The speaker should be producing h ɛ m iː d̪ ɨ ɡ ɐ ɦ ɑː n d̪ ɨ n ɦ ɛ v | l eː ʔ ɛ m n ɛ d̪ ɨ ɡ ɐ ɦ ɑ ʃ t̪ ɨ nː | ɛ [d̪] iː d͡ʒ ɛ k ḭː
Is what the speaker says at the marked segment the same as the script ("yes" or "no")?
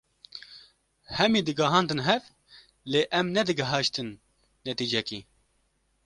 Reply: no